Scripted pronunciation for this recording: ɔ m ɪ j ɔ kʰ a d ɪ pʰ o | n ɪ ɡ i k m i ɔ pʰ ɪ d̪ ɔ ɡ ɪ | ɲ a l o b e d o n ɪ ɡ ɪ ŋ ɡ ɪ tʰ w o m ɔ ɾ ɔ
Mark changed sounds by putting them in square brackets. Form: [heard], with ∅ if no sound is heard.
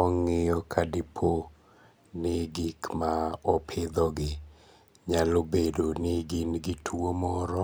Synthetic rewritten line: ɔ [ŋ] ɪ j ɔ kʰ a d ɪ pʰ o | n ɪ ɡ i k m [a] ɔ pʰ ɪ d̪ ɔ ɡ ɪ | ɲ a l o b e d o n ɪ ɡ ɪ [n] ɡ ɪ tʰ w o m ɔ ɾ ɔ